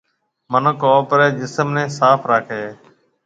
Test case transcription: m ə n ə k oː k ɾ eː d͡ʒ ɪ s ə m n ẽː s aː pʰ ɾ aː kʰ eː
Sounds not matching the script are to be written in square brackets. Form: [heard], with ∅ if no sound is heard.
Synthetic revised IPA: m ə n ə k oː [p] ɾ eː d͡ʒ ɪ s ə m n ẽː s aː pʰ ɾ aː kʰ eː